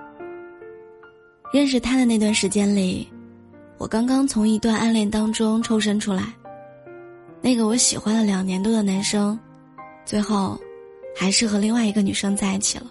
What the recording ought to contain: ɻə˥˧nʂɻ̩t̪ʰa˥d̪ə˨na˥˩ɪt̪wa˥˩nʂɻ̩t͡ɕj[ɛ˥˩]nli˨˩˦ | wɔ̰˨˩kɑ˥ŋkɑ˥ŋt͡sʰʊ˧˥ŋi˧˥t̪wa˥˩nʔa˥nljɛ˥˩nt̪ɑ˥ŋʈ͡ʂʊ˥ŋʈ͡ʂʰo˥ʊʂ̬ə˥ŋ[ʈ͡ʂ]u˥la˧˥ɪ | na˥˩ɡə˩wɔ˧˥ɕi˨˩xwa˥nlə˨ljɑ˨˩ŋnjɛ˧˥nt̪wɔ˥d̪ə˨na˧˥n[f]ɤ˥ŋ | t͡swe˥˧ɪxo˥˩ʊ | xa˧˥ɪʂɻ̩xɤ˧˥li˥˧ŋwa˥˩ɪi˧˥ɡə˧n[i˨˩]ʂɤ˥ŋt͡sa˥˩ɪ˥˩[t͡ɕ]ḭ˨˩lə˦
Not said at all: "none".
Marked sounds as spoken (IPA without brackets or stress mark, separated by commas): ɛ˥, ʈ͡ʂʰ, ʂ, y˨˩, t͡ɕʰ